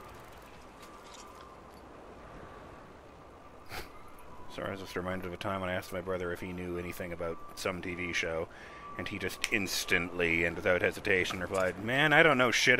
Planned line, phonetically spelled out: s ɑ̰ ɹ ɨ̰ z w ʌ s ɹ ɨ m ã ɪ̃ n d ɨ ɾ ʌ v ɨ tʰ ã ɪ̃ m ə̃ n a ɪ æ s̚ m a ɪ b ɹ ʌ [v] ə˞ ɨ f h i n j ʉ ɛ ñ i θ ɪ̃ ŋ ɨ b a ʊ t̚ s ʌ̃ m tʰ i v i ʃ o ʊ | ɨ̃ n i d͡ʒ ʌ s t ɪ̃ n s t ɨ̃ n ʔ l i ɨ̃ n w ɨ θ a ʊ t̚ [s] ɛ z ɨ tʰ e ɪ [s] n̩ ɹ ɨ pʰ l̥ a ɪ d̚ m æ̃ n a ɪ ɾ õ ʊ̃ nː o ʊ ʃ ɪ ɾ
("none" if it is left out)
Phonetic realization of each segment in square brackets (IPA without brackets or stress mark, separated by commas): ð, h, ʃ